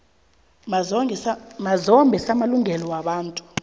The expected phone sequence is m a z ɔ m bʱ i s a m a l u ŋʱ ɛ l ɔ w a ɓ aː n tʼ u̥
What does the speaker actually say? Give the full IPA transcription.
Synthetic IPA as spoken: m a z ɔ m bʱ ɛ s a m a l u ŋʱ ɛ l ɔ w a ɓ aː n tʼ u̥